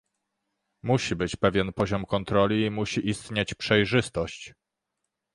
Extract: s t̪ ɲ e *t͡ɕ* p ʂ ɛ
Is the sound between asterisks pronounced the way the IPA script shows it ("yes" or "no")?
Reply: yes